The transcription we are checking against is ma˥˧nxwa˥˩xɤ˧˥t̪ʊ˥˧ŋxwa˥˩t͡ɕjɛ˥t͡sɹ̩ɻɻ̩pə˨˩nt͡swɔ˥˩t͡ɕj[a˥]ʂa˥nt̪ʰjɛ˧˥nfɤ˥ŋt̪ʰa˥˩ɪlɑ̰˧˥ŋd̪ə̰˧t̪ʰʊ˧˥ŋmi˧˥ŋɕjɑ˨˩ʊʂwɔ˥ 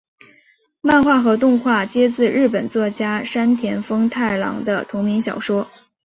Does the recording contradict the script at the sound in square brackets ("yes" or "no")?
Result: no